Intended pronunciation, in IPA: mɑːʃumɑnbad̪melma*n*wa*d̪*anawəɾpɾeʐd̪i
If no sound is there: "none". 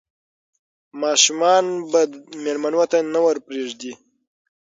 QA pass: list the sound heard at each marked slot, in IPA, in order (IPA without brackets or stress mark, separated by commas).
n, t̪